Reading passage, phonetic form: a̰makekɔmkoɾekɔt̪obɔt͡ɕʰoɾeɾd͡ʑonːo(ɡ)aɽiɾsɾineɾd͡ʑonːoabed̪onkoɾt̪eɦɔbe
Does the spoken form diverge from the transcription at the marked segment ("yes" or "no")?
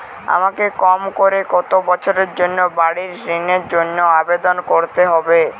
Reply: yes